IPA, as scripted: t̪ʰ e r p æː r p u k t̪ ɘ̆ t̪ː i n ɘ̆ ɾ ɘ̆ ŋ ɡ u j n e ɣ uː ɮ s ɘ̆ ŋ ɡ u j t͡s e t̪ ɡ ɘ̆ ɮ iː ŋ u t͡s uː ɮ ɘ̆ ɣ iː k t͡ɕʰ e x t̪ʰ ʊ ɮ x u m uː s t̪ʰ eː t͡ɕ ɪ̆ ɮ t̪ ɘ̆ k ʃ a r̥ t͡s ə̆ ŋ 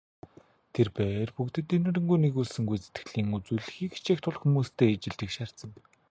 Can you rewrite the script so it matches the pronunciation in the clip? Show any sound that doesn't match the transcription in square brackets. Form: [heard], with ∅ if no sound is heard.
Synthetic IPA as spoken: t̪ʰ e r p æː r p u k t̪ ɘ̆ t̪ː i n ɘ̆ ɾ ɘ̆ ŋ ɡ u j n e ɣ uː ɮ s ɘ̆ ŋ ɡ u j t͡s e t̪ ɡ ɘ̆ ɮ iː ŋ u t͡s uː ɮ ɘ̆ [x] iː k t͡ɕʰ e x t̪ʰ ʊ ɮ x u m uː s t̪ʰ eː t͡ɕ ɪ̆ ɮ t̪ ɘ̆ k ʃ a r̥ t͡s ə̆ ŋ